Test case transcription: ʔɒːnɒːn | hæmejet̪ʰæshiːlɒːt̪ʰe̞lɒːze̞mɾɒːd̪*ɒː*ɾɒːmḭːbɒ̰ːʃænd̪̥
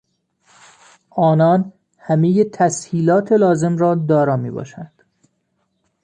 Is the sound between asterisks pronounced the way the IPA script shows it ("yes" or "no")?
yes